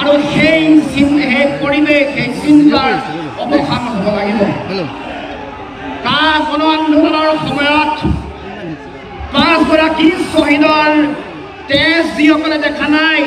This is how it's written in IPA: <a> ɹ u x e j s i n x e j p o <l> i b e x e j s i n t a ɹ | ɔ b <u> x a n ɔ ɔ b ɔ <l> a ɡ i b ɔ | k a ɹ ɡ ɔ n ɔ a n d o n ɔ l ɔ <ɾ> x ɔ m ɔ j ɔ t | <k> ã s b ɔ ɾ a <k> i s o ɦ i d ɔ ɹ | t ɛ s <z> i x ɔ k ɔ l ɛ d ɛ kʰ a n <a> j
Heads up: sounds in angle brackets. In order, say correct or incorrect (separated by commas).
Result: correct, incorrect, incorrect, correct, incorrect, incorrect, correct, correct, correct